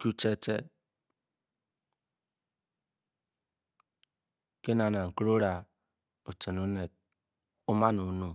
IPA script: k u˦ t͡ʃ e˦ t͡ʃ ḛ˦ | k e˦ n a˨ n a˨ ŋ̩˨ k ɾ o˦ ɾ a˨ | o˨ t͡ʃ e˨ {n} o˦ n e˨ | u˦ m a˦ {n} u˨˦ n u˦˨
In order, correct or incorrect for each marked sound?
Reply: correct, correct

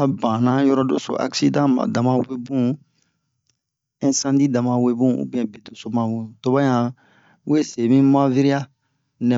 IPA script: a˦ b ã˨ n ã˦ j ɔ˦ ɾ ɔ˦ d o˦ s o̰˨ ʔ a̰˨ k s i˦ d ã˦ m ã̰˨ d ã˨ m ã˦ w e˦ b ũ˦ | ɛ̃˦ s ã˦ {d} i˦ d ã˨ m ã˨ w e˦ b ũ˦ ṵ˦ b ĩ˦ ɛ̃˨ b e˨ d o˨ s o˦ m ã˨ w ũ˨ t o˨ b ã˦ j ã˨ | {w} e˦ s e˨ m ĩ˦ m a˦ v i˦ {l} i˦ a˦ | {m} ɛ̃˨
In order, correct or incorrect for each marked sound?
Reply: correct, correct, incorrect, incorrect

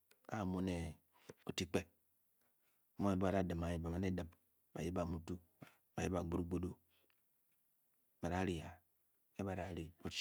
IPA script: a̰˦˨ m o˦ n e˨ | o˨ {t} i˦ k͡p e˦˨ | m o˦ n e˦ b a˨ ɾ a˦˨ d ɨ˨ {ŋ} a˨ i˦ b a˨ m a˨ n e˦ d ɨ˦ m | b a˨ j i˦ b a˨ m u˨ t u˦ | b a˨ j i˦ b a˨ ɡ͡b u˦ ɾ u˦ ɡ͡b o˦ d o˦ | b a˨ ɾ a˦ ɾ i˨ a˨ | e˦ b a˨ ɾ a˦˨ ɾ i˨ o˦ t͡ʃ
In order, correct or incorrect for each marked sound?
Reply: correct, incorrect

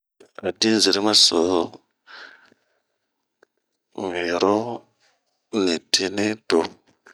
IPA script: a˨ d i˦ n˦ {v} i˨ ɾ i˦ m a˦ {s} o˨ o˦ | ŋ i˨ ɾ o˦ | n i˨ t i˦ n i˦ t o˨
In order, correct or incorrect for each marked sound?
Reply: incorrect, correct

